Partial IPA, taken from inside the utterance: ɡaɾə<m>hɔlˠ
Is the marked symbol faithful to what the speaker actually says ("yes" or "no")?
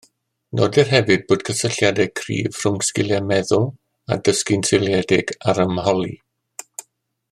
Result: yes